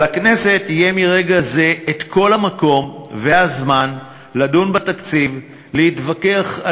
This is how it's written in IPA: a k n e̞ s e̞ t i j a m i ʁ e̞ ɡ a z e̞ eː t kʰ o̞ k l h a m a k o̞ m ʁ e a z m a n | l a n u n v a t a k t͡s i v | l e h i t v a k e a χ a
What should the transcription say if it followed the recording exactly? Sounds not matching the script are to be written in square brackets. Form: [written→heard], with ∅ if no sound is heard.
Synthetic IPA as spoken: a k n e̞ s e̞ t i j [a→e] m i ʁ e̞ ɡ a z e̞ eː t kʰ o̞ [k→∅] l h a m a k o̞ m [ʁ→v] e a z m a n | l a [n→d] u n [v→b] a t a k t͡s i v | l e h i t v a k e a χ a